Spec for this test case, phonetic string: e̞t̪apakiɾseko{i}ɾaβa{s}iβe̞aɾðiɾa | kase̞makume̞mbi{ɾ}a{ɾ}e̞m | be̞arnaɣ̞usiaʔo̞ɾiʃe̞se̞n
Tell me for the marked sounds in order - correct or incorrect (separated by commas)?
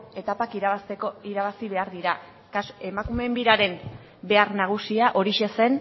correct, correct, correct, correct